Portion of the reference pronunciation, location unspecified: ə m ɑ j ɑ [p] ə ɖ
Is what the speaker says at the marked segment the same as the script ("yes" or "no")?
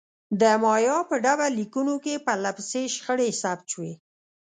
yes